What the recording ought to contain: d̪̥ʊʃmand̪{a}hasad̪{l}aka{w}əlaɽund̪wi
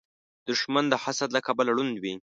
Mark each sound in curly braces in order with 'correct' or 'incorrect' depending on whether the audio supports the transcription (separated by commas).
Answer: incorrect, correct, incorrect